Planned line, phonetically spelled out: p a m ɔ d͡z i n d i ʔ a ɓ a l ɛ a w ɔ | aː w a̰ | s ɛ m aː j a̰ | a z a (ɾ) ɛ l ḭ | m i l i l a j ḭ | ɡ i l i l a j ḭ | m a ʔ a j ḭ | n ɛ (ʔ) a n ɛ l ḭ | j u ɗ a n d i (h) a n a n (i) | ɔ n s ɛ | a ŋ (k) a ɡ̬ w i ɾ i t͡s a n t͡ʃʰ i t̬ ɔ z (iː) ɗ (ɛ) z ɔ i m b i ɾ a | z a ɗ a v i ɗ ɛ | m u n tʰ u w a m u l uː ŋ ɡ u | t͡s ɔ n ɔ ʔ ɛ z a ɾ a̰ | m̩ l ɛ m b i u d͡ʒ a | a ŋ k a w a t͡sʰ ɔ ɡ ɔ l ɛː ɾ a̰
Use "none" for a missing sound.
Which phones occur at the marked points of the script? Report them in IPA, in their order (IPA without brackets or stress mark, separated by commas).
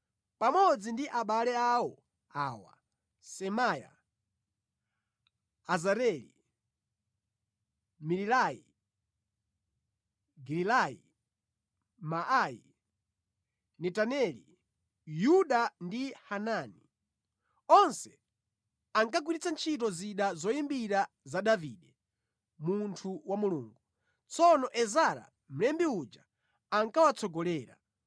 ɾ, t, h, i, k, i, a